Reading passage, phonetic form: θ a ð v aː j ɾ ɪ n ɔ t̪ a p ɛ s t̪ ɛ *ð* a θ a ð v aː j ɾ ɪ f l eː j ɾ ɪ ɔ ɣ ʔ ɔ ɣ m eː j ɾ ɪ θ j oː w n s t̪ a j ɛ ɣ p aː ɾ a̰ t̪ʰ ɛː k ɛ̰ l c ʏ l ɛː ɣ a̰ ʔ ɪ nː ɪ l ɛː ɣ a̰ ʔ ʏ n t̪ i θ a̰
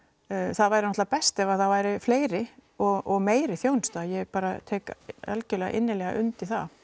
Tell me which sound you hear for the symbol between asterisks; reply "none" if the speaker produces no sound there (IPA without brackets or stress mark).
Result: v